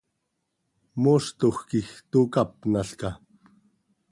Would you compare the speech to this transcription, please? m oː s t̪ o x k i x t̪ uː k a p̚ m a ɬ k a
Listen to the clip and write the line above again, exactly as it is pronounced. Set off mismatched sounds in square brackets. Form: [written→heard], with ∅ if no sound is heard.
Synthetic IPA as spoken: m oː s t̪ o x k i x t̪ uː k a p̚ [m→n] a ɬ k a